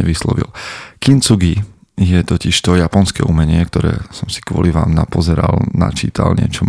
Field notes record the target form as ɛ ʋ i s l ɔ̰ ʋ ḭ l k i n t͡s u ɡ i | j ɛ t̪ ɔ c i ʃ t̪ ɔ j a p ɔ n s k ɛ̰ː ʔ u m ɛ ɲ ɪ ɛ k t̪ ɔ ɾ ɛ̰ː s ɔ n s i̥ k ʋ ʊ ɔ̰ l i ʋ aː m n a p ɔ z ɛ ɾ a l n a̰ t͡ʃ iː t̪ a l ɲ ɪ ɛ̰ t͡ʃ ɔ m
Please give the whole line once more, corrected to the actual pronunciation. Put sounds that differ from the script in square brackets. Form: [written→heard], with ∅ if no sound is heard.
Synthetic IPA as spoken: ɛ ʋ i s l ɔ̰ ʋ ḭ l k i n t͡s u ɡ i | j ɛ t̪ ɔ c i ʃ t̪ ɔ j a p ɔ n s k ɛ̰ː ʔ u m ɛ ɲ ɪ ɛ k t̪ ɔ ɾ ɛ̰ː s ɔ [n→m] s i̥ k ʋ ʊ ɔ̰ l i ʋ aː m n a p ɔ z ɛ ɾ a l n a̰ t͡ʃ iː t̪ a l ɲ ɪ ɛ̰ t͡ʃ ɔ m